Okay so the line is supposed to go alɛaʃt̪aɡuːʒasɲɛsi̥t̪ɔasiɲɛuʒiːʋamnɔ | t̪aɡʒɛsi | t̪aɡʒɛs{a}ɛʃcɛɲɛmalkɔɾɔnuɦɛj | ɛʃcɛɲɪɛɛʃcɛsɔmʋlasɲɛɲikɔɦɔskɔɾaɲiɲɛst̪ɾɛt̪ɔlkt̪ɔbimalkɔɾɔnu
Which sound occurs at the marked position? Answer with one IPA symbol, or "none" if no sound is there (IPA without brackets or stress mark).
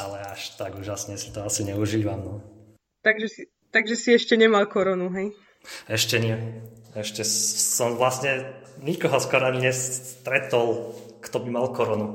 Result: i